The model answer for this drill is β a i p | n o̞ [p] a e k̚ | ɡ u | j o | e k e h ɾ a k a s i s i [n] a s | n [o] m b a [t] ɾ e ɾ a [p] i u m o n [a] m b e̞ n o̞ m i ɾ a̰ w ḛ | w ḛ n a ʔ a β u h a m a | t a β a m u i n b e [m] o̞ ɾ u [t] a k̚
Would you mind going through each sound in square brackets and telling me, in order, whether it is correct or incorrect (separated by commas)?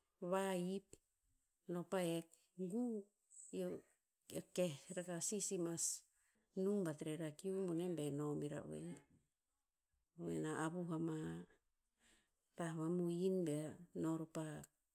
correct, incorrect, incorrect, correct, incorrect, incorrect, incorrect, incorrect